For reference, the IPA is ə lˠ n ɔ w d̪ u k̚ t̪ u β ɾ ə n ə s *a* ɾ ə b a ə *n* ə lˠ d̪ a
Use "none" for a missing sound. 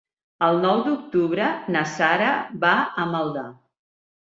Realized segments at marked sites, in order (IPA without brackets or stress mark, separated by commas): a, m